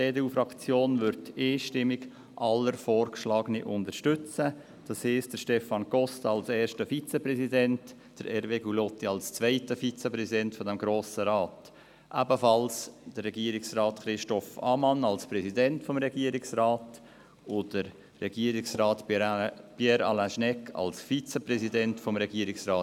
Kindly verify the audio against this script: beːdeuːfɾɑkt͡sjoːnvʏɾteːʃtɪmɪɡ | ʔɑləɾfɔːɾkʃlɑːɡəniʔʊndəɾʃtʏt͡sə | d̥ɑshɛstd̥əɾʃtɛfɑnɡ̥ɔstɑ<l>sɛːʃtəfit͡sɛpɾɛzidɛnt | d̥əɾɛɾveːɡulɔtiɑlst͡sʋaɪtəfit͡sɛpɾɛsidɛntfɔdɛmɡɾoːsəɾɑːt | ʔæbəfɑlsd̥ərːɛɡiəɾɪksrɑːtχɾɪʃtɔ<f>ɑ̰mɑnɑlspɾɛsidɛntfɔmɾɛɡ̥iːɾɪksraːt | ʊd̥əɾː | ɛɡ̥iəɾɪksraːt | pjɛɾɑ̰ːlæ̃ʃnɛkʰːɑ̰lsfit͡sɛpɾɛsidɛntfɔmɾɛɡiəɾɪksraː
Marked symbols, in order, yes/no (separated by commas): yes, yes